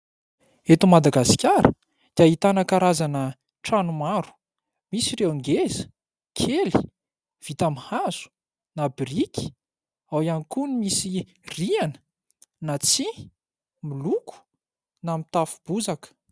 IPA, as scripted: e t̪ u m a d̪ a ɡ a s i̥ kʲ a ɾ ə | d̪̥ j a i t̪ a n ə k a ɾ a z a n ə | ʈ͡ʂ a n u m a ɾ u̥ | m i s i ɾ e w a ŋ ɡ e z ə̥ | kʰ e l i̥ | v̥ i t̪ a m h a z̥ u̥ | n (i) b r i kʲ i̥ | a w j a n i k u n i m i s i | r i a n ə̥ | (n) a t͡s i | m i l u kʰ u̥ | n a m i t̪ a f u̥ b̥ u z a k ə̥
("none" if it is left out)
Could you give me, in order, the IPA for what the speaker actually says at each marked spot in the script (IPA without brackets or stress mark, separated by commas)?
a, n